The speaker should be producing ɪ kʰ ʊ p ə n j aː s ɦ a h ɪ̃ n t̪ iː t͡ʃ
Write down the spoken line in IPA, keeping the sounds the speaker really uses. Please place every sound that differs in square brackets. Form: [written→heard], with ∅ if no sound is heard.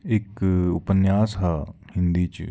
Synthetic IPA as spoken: ɪ [kʰ→k] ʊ p ə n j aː s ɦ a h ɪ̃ n [t̪→d̪] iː t͡ʃ